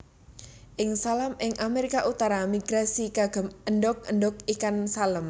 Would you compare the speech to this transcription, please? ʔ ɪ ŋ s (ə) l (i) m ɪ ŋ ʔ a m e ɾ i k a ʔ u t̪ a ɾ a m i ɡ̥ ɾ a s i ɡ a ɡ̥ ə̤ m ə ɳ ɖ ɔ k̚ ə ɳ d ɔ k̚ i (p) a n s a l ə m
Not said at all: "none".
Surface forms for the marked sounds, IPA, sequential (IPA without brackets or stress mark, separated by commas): a, a, k